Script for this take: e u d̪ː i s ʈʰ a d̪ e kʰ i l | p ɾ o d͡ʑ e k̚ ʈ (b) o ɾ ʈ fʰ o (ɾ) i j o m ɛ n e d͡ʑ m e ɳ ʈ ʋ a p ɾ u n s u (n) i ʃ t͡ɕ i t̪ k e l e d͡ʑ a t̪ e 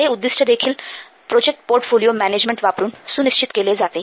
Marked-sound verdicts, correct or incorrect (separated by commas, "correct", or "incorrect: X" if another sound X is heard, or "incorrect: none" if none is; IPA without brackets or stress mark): incorrect: p, incorrect: l, correct